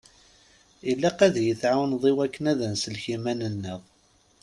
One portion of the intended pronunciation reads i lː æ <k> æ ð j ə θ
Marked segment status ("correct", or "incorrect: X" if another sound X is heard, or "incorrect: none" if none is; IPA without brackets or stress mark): incorrect: q